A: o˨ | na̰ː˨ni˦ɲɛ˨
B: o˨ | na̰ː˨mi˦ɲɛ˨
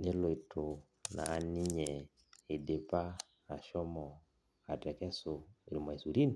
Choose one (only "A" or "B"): A